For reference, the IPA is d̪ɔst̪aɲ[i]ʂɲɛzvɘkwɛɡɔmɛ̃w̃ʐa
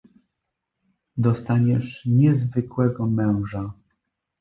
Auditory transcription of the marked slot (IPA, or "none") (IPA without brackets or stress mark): ɛ